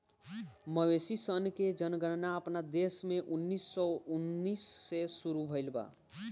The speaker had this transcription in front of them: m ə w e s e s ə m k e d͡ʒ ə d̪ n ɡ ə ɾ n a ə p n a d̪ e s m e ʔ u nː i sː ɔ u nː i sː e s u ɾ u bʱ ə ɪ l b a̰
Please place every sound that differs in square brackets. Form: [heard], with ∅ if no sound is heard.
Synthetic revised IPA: m ə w e s [i] s ə [n] k e d͡ʒ ə [∅] n ɡ ə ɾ n a ə p n a d̪ e s m e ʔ u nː i sː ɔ u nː i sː e s u ɾ u bʱ ə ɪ l b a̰